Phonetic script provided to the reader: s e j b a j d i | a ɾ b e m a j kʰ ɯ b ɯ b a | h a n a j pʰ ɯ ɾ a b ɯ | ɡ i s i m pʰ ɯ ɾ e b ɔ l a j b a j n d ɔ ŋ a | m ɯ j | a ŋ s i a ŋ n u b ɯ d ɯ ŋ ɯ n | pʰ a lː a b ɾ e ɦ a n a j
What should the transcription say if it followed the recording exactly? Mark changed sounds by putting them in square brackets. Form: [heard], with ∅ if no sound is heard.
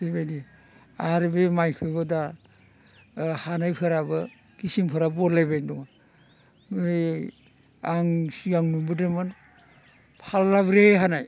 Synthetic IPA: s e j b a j d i | a ɾ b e m a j kʰ ɯ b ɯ [d] a | h a n a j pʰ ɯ ɾ a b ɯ | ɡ i s i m pʰ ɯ ɾ [a] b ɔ l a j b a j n d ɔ ŋ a | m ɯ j | a ŋ s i a ŋ n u b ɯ d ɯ [m] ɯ n | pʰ a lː a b ɾ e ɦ a n a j